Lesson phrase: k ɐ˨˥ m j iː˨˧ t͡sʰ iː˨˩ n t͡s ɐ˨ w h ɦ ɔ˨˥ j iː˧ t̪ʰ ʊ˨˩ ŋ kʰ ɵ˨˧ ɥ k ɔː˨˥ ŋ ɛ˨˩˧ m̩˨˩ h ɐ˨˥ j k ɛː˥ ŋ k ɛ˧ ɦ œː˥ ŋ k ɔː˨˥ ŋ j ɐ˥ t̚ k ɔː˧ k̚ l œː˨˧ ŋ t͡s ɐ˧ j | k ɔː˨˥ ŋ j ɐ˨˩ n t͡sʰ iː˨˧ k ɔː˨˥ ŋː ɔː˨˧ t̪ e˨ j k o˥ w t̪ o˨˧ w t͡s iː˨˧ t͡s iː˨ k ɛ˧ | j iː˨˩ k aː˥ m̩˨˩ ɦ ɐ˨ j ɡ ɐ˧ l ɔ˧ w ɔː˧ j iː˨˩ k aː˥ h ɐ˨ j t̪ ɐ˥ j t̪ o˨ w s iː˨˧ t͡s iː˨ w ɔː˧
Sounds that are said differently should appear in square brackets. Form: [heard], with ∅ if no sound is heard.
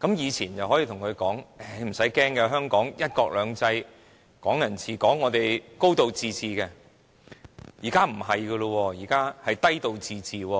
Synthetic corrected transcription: k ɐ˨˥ m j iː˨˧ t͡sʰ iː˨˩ n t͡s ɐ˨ w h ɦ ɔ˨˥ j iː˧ t̪ʰ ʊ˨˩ ŋ kʰ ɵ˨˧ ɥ k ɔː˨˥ ŋ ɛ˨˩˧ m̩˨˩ [s] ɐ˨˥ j k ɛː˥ ŋ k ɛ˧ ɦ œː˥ ŋ k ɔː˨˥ ŋ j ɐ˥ t̚ k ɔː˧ k̚ l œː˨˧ ŋ t͡s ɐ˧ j | k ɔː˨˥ ŋ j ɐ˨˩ n t͡sʰ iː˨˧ k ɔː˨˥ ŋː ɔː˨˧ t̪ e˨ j k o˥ w t̪ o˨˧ w t͡s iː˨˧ t͡s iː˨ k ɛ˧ | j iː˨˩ k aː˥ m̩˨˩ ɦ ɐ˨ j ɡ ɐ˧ l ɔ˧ w ɔː˧ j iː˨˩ k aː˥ h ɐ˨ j t̪ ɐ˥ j t̪ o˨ w [t͡s] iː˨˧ t͡s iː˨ w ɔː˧